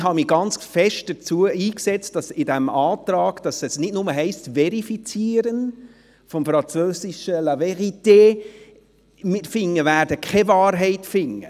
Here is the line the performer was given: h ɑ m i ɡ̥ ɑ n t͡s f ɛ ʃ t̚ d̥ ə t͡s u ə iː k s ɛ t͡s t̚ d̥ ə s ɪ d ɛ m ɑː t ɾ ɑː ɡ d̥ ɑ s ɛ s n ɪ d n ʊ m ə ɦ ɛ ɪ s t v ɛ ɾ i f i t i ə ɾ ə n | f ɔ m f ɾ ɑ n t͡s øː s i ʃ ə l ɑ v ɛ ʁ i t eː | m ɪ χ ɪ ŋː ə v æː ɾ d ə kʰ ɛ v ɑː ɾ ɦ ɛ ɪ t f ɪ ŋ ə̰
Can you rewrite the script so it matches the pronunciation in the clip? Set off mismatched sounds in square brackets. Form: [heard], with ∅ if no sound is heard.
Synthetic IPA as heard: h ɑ m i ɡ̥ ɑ n t͡s f ɛ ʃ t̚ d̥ ə t͡s u ə iː k s ɛ t͡s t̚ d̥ [ɑ] s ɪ d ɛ m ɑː t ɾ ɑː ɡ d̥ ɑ s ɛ s n ɪ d n ʊ m ə ɦ ɛ ɪ s t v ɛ ɾ i f i [t͡s] i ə ɾ ə n | f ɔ m f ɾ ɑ n t͡s øː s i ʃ ə l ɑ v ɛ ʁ i t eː | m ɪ [f] ɪ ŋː ə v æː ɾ d ə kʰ ɛ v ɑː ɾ ɦ ɛ ɪ t f ɪ ŋ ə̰